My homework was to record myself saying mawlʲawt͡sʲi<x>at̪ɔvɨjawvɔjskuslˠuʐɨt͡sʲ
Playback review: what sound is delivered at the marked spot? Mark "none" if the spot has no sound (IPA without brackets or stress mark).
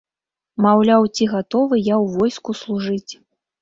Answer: ɣ